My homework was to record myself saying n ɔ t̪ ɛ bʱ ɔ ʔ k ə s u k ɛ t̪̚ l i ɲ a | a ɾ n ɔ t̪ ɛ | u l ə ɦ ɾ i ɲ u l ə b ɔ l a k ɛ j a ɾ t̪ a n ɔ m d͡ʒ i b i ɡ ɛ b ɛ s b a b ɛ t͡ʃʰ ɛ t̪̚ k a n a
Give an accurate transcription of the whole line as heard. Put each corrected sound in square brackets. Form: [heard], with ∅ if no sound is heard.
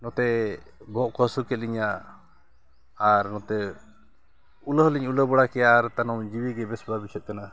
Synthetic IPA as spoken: n ɔ t̪ ɛ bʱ ɔ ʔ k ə s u k ɛ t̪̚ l i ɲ a | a ɾ n ɔ t̪ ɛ | u l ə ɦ [l] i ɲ u l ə b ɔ [ɽ] a k ɛ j a ɾ t̪ a n ɔ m d͡ʒ i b i ɡ ɛ b ɛ s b a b [i] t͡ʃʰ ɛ t̪̚ k a n a

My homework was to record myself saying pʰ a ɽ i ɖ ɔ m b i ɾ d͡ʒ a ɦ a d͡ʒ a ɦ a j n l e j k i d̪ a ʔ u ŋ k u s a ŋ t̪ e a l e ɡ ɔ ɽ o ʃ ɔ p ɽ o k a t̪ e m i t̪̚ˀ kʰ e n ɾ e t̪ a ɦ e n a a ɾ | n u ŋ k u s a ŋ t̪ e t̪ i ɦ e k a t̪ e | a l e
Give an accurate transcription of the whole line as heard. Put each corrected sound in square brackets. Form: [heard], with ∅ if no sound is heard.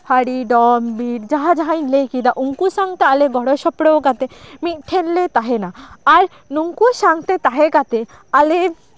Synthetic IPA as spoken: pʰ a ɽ i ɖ ɔ m b i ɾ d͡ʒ a ɦ a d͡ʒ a ɦ a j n l e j k i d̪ a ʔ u ŋ k u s a ŋ t̪ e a l e ɡ ɔ ɽ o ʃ ɔ p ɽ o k a t̪ e m i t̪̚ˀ [ʈʰ] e n [l] e t̪ a ɦ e n a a ɾ | n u ŋ k u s a ŋ t̪ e t̪ [a] ɦ e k a t̪ e | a l e

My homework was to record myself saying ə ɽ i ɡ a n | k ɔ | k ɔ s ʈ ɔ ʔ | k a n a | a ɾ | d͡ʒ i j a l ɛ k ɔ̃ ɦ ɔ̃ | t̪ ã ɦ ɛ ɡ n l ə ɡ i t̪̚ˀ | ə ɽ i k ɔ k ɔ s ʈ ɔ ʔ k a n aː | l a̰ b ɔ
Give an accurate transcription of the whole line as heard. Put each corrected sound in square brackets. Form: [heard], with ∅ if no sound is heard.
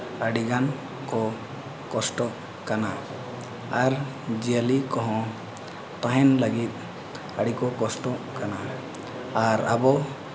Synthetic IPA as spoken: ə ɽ i ɡ a n | k ɔ | k ɔ s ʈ ɔ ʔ | k a n a | a ɾ | d͡ʒ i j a l [i] k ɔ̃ ɦ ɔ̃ | t̪ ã ɦ ɛ [∅] n l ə ɡ i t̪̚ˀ | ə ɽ i k ɔ k ɔ s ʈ ɔ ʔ k a n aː | [ɾ] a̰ b ɔ

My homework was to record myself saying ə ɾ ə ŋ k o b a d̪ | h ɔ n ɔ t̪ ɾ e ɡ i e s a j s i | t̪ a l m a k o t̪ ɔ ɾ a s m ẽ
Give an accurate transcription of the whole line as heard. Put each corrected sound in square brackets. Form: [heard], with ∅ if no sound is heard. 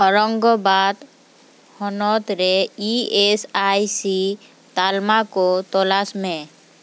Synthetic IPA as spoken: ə ɾ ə ŋ [ɡ] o b a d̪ | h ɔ n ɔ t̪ ɾ e [∅] i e s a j s i | t̪ a l m a k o t̪ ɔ [l] a s m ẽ

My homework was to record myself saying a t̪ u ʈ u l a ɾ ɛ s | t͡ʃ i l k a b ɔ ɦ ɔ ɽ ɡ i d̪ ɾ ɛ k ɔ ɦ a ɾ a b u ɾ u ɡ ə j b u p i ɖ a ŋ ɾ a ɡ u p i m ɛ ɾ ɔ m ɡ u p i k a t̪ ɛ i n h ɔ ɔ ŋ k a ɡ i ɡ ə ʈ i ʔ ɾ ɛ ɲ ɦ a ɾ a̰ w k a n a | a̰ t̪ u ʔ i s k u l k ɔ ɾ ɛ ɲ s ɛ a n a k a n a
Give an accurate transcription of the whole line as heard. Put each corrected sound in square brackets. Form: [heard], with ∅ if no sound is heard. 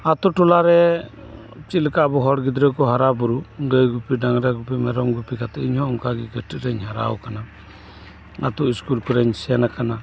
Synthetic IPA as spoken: a t̪ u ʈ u l a ɾ ɛ [∅] | t͡ʃ i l k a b ɔ ɦ ɔ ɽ ɡ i d̪ ɾ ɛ k ɔ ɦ a ɾ a b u ɾ u ɡ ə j [ɡ] u p i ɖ a ŋ ɾ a ɡ u p i m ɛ ɾ ɔ m ɡ u p i k a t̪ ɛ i [ɲ] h ɔ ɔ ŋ k a ɡ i ɡ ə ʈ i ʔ ɾ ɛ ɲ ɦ a ɾ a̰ w k a n a | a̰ t̪ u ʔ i s k u l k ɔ ɾ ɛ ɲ s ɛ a n a k a n a

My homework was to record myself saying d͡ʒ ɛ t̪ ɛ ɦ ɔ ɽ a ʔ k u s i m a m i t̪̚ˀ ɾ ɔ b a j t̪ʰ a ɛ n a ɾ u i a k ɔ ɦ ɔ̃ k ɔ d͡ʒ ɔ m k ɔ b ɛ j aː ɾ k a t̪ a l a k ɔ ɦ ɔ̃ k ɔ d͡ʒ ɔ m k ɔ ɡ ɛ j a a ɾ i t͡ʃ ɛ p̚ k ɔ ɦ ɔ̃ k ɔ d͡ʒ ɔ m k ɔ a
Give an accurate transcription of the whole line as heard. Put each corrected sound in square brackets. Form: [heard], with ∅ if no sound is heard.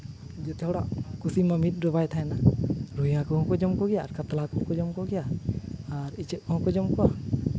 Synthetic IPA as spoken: d͡ʒ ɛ t̪ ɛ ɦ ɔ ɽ a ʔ k u s i m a m i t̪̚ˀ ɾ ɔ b a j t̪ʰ a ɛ n a ɾ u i a k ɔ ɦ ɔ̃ k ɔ d͡ʒ ɔ m k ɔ [ɡ] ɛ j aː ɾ k a t̪ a l a k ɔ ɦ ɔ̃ k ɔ d͡ʒ ɔ m k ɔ ɡ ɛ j a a ɾ i t͡ʃ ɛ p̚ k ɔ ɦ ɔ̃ k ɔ d͡ʒ ɔ m k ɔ a

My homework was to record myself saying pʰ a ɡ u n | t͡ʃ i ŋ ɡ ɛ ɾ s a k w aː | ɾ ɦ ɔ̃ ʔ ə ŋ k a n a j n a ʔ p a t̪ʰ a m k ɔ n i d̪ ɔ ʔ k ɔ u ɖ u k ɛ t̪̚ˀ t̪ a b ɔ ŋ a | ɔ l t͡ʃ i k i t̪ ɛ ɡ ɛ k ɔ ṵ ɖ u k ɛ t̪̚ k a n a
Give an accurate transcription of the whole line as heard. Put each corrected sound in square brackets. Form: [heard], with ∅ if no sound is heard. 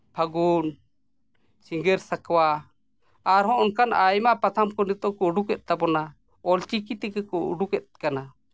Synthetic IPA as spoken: pʰ a ɡ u n | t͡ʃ i ŋ ɡ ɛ ɾ s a k w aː | ɾ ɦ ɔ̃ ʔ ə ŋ k a n a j [m] a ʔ p a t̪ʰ a m k ɔ n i [t̪] ɔ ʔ k ɔ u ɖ u k ɛ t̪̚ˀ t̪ a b ɔ [n] a | ɔ l t͡ʃ i k i t̪ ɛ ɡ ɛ k ɔ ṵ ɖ u k ɛ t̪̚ k a n a

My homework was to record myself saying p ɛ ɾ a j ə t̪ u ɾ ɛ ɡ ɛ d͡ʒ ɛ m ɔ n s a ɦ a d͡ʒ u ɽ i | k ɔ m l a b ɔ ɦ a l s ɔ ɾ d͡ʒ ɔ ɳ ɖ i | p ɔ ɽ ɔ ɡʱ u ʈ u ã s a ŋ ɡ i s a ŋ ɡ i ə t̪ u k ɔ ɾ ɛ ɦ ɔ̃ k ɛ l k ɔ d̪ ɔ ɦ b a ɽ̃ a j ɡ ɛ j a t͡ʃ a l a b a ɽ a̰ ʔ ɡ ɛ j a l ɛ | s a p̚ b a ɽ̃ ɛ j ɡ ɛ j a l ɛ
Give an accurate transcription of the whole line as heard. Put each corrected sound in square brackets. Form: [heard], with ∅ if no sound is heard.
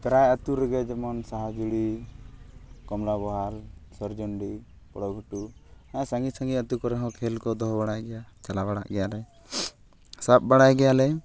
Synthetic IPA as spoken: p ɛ ɾ a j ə t̪ u ɾ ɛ ɡ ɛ d͡ʒ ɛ m ɔ n s a ɦ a d͡ʒ u ɽ i | k ɔ m l a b ɔ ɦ a l s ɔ ɾ d͡ʒ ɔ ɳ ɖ i | p ɔ ɽ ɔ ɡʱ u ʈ u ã s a ŋ ɡ i s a ŋ ɡ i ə t̪ u k ɔ ɾ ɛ ɦ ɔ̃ [kʰ] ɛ l k ɔ d̪ ɔ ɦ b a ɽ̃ a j ɡ ɛ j a t͡ʃ a l a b a ɽ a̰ ʔ ɡ ɛ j a l ɛ | s a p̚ b a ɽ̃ [a] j ɡ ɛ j a l ɛ

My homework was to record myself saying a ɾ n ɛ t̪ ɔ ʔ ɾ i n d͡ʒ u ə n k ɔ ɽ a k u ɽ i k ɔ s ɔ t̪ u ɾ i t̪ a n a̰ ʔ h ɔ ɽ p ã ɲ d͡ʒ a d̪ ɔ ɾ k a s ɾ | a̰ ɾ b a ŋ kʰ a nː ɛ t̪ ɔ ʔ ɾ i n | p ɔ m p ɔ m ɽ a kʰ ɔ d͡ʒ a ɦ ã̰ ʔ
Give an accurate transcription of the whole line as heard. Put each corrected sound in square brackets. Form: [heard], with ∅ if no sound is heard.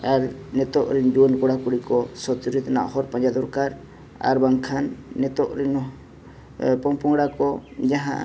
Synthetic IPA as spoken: a ɾ n ɛ t̪ ɔ ʔ ɾ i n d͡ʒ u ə n k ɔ ɽ a k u ɽ i k ɔ s ɔ t̪ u ɾ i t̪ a n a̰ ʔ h ɔ [ɾ] p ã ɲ d͡ʒ a d̪ ɔ ɾ k a [∅] ɾ | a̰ ɾ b a ŋ kʰ a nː ɛ t̪ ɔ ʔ ɾ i n | p ɔ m p ɔ [ŋ] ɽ a [k] ɔ d͡ʒ a ɦ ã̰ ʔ

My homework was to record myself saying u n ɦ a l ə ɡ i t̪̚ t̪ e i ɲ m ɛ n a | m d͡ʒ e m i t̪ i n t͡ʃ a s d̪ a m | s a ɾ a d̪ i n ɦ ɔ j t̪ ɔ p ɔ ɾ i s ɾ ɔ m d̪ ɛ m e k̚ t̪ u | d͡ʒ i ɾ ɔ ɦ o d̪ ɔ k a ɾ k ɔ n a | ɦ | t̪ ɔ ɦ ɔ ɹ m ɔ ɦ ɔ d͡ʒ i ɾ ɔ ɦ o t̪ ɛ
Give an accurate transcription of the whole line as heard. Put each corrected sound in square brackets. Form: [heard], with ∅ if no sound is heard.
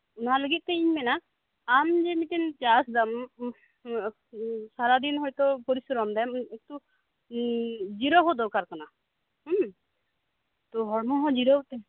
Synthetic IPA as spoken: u n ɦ a l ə ɡ i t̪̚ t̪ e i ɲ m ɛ n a | m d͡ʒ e m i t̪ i n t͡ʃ a s d̪ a m | s a ɾ a d̪ i n ɦ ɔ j t̪ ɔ p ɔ ɾ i s ɾ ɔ m d̪ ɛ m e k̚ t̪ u | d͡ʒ i ɾ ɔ ɦ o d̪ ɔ k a ɾ k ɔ n a | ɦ | t̪ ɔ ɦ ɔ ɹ m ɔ ɦ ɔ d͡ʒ i ɾ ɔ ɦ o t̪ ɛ

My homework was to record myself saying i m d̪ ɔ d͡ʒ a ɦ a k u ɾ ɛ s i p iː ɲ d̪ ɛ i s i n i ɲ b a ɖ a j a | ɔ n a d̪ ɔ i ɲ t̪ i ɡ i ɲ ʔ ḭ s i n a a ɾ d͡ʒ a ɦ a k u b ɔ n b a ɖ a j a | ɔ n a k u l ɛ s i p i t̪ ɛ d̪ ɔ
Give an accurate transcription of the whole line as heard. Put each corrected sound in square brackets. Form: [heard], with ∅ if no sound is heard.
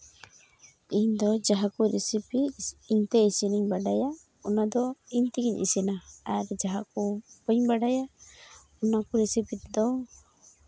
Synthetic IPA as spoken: i [ɲ] d̪ ɔ d͡ʒ a ɦ a k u ɾ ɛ s i p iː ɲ [t̪] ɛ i s i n i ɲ b a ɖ a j a | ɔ n a d̪ ɔ i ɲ t̪ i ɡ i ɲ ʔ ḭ s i n a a ɾ d͡ʒ a ɦ a k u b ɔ [ɲ] b a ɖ a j a | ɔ n a k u [ɾ] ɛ s i p i t̪ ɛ d̪ ɔ

